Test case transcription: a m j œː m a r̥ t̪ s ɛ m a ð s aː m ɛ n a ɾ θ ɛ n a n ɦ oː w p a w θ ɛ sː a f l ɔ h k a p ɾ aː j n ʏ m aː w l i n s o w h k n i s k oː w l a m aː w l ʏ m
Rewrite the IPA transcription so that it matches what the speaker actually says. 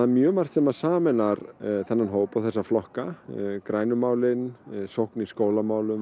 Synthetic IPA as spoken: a m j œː m a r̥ t̪ s ɛ m a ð s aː m ɛ n a ɾ θ ɛ nː a n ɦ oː w p a w θ ɛ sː a f l ɔ h k a k ɾ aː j n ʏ m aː w l ɪ n s o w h k n i s k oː w l a m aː w l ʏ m